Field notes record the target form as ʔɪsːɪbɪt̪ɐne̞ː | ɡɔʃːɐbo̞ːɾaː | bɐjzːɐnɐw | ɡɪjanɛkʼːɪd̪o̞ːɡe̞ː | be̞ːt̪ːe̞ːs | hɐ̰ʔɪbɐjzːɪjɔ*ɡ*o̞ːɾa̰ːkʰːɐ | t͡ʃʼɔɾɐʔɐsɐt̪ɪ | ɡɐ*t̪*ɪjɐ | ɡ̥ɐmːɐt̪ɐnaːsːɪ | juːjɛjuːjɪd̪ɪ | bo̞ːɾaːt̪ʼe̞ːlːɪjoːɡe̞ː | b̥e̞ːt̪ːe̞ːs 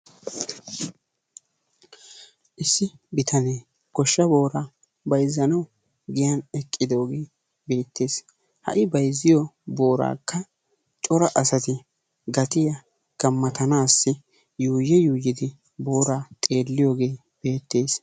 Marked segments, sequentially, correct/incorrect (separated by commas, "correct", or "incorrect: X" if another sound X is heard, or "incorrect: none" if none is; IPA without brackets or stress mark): incorrect: b, correct